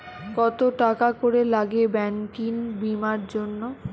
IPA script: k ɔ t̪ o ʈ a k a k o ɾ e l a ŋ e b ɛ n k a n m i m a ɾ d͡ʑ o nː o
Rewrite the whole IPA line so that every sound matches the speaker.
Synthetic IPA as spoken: k ɔ t̪ o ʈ a k a k o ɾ e l a ɡ e b ɛ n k i n b i m a ɾ d͡ʑ o nː o